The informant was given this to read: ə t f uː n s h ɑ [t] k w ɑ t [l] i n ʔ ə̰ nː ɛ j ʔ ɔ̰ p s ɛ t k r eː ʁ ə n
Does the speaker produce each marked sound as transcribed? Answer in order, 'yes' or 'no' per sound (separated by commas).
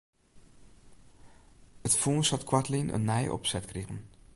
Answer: yes, yes